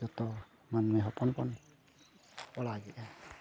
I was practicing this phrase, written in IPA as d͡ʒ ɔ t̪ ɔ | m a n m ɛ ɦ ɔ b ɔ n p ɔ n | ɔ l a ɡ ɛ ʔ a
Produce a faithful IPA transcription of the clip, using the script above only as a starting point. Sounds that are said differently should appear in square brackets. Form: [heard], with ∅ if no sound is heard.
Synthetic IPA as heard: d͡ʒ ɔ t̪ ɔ | m a n m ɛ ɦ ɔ [p] ɔ n p ɔ n | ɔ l a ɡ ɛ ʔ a